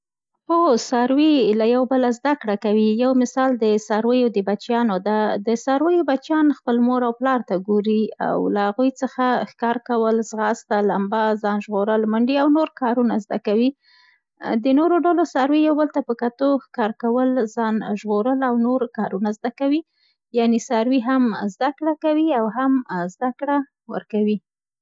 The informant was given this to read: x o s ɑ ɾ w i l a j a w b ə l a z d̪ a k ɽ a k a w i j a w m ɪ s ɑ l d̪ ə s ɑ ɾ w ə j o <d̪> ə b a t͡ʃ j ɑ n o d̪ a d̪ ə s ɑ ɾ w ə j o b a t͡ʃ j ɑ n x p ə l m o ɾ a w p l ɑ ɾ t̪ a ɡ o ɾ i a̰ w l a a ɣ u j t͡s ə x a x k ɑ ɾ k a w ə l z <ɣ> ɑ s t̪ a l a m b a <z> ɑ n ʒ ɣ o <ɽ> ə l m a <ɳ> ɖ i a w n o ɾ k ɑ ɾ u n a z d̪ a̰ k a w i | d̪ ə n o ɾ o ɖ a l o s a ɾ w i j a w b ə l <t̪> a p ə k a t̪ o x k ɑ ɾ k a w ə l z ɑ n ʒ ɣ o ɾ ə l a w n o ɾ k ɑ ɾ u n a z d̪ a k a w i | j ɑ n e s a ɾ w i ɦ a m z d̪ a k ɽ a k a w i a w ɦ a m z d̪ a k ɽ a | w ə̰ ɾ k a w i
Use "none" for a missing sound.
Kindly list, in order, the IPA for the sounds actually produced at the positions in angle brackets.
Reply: d̪, ɣ, z, ɾ, ɳ, t̪

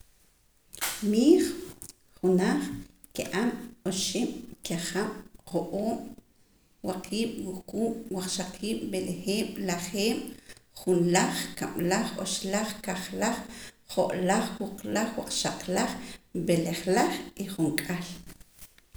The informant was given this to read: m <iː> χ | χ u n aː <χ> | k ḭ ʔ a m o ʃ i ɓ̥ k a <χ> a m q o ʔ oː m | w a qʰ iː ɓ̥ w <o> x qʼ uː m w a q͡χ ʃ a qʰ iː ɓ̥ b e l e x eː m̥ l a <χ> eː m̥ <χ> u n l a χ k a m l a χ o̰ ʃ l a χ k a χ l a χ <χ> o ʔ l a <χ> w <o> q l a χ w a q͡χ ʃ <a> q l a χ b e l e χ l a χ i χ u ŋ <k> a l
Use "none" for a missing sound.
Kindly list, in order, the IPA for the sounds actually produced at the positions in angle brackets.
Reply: iː, χ, χ, u, χ, χ, χ, χ, u, a, kʼ

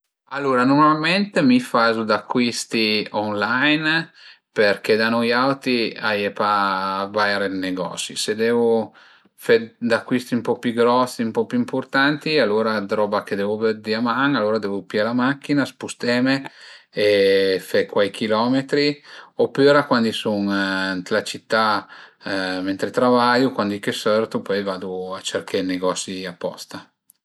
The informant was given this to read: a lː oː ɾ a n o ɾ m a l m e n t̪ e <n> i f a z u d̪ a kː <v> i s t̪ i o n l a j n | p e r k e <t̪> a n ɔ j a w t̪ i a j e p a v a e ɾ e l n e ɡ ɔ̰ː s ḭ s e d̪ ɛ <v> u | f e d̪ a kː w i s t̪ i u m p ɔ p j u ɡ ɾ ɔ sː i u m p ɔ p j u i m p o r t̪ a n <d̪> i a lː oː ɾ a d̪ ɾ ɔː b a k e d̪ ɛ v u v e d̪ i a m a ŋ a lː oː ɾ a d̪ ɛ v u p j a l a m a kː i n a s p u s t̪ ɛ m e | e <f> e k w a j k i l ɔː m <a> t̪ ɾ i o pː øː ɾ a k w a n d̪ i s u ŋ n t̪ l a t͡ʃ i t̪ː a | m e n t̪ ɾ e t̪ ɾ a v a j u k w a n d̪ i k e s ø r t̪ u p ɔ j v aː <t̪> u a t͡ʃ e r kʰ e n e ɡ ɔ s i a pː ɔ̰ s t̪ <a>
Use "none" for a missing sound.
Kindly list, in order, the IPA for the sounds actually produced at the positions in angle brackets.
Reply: m, w, d̪, v, t̪, f, e, d̪, a

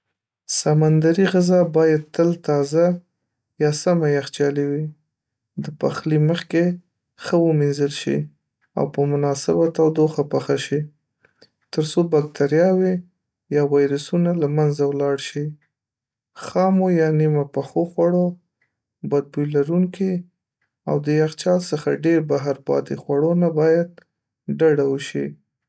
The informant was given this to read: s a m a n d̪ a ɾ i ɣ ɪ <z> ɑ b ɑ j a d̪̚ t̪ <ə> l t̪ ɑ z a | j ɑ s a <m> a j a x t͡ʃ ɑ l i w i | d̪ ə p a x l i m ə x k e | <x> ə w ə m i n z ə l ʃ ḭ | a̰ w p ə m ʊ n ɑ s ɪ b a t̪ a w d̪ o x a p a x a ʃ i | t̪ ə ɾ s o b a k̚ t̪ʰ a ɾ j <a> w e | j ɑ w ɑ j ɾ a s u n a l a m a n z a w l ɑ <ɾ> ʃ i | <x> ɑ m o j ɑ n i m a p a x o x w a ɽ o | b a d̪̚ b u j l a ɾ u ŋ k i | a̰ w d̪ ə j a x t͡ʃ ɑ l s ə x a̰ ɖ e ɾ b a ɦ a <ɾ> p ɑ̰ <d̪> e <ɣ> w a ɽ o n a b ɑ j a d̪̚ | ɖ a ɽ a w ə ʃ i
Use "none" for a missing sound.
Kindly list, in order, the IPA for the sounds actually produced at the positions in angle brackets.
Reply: z, ə, m, x, ɑ, ɽ, x, ɾ, t̪, x

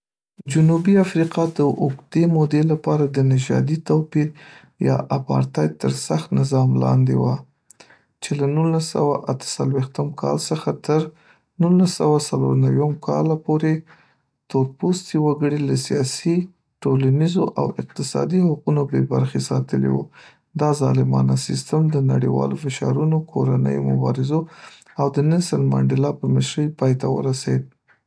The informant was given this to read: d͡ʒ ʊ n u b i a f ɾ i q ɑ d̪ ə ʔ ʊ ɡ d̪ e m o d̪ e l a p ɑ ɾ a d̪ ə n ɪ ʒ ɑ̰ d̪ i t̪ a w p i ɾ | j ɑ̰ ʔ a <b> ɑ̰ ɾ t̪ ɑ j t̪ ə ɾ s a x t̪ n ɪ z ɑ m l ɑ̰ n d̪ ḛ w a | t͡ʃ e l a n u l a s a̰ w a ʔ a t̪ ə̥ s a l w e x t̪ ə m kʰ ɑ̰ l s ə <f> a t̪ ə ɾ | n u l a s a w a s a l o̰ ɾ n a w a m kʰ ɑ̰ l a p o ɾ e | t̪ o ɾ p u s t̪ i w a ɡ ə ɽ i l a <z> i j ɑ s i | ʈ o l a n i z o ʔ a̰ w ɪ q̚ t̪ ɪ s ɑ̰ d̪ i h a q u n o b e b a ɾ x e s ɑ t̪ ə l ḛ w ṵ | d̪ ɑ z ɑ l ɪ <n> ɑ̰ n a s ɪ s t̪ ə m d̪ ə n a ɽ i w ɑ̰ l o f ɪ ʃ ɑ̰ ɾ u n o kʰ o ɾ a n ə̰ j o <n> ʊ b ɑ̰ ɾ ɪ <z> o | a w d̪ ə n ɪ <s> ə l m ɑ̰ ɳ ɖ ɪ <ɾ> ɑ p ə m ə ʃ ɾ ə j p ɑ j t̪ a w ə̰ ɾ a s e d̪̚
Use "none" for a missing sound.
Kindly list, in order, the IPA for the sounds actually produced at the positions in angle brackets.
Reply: p, x, s, m, m, z, s, l

